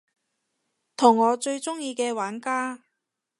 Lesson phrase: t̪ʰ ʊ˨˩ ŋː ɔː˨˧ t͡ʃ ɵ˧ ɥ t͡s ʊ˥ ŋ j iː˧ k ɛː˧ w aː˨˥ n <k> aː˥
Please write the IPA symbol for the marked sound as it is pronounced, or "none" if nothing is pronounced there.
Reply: k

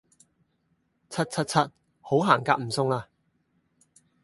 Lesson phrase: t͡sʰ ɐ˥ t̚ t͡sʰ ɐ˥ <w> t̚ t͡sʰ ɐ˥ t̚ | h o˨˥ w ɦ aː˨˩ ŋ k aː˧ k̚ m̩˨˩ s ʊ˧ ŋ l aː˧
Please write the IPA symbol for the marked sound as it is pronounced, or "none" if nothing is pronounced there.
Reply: none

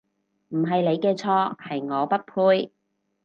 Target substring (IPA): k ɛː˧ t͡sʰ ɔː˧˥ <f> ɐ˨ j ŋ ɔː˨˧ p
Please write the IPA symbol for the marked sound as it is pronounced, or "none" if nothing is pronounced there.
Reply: h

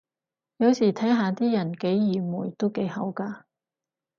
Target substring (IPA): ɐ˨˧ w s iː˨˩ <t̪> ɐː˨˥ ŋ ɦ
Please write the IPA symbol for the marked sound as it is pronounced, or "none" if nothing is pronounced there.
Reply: t̪ʰ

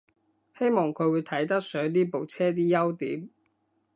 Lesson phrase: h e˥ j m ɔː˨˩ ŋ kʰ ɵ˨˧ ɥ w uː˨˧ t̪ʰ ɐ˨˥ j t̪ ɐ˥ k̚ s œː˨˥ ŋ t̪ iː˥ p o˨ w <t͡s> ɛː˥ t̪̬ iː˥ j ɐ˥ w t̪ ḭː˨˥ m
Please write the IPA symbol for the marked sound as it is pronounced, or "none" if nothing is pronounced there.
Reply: t͡sʰ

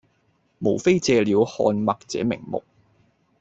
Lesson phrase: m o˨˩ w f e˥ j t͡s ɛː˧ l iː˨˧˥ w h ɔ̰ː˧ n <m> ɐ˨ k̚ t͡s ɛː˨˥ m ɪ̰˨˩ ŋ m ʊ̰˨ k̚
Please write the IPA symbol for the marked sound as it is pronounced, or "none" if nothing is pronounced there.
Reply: m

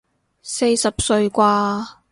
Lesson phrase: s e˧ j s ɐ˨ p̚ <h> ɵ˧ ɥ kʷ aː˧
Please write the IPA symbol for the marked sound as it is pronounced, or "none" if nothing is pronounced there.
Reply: s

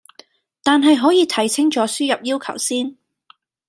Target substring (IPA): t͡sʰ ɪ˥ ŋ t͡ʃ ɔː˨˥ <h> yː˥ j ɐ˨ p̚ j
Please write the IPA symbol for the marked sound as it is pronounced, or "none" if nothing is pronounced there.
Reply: s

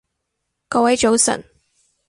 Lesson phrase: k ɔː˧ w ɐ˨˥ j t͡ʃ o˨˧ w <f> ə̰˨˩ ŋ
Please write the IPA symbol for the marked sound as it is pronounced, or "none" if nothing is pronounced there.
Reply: s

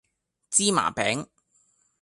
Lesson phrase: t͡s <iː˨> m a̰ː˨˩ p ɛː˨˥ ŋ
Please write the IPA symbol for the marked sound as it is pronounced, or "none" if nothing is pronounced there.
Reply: iː˥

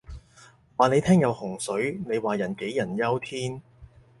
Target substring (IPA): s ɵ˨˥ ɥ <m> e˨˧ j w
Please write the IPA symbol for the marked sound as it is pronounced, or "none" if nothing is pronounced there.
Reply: n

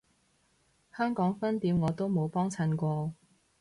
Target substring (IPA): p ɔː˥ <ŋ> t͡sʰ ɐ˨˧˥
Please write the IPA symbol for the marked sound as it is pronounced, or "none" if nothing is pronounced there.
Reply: ŋ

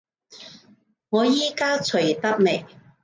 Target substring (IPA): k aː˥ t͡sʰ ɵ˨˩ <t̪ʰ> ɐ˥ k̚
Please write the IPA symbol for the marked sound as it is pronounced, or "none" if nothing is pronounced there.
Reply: t̪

